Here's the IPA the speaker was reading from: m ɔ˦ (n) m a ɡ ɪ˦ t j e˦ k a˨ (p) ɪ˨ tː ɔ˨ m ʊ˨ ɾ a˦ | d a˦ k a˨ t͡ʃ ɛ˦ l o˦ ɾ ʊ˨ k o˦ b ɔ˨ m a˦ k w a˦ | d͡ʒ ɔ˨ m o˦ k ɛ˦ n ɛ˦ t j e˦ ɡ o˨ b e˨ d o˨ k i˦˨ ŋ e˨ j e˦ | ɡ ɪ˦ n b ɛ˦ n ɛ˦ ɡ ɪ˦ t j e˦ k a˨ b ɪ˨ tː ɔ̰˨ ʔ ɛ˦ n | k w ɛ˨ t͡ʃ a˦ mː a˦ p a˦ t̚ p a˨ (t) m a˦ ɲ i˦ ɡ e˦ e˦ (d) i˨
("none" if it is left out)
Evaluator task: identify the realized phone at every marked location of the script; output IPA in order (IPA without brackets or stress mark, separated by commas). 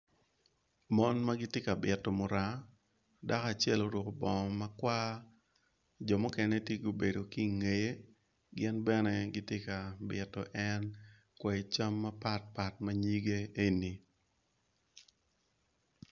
n, b, t, n